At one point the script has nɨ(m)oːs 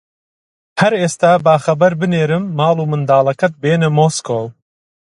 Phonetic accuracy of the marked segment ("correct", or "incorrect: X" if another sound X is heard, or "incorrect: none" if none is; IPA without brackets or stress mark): correct